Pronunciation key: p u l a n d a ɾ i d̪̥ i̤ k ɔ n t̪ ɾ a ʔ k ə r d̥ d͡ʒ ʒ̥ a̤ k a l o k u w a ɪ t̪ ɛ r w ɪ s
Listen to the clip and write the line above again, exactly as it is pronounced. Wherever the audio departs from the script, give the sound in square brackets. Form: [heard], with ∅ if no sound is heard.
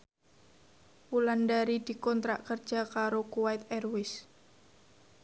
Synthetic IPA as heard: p u l a n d a ɾ i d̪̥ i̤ k ɔ n t̪ ɾ a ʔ k ə r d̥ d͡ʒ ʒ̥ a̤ k a [ɾ] o k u w a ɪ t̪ ɛ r w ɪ s